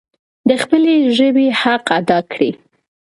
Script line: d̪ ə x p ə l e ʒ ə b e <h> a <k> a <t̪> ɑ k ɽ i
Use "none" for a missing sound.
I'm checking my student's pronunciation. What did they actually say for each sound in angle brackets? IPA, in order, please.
h, q, d̪

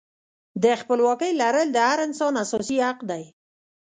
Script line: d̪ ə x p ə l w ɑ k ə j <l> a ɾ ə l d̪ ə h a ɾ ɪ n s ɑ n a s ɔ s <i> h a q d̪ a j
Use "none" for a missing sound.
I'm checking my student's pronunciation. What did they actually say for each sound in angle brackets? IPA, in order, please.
l, i

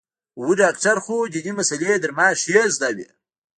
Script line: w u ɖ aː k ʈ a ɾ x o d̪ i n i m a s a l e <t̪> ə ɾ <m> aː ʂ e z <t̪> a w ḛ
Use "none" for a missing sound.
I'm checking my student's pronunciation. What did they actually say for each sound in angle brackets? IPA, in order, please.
d̪, m, d̪

